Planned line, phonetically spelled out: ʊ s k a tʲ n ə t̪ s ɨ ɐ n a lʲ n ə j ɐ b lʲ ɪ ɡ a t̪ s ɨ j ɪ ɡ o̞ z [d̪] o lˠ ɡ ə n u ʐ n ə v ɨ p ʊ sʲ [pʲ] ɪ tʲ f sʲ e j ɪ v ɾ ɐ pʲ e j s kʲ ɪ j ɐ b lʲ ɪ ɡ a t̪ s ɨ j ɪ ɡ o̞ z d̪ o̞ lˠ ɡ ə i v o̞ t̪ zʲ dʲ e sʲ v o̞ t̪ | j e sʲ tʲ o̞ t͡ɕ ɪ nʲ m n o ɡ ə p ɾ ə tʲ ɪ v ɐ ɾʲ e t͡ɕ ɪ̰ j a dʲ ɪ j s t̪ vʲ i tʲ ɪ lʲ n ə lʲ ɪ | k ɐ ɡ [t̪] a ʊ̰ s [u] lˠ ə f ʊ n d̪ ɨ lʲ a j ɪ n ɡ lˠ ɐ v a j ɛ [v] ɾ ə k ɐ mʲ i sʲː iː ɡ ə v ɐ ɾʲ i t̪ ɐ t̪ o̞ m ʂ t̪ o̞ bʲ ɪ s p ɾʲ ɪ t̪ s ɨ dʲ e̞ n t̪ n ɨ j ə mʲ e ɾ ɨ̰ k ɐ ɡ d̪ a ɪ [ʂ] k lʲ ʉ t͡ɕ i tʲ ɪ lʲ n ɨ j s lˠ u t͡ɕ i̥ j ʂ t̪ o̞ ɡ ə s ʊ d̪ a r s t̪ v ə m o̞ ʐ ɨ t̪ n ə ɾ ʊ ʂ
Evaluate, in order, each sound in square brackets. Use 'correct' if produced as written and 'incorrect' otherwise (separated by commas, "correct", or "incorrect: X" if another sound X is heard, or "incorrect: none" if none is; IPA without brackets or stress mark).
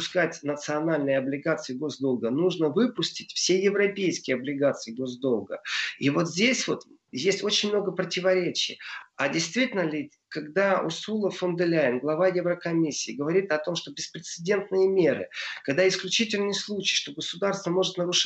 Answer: correct, incorrect: tʲ, incorrect: d̪, correct, correct, incorrect: s